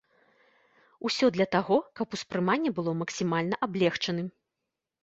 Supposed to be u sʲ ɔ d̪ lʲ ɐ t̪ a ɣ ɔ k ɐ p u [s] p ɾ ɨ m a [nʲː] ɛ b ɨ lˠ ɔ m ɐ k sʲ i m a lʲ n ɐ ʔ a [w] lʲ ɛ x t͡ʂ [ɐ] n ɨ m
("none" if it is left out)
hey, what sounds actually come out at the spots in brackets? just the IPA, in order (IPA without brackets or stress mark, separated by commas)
s, nʲː, b, ɐ